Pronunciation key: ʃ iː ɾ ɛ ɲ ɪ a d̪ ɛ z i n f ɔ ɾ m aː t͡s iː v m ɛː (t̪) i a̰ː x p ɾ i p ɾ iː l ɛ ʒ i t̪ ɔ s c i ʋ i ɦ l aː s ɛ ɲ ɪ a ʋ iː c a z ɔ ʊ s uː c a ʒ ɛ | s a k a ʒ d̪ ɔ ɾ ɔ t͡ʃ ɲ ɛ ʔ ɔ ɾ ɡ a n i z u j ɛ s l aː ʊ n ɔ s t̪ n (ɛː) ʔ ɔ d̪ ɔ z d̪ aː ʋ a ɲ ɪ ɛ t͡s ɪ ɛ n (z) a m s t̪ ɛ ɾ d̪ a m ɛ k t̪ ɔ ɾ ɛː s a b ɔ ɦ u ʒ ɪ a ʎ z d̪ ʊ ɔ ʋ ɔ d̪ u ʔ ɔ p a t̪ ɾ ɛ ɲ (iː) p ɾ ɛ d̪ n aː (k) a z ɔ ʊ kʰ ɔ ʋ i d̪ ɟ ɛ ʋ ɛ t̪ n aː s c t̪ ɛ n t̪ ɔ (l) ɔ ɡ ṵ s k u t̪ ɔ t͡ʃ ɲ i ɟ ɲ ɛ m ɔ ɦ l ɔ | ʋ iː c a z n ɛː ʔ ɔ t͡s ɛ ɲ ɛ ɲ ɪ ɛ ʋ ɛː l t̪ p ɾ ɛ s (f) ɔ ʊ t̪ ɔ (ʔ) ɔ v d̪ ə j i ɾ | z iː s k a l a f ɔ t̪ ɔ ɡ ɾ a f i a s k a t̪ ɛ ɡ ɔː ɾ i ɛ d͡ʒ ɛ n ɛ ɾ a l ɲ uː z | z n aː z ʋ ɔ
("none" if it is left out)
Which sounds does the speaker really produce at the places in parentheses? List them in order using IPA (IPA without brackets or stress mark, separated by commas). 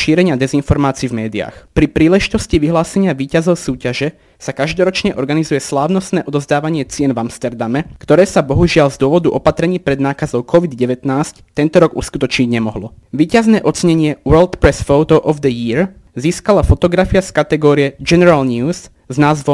d̪, ɛː, v, iː, k, ɾ, f, ʔ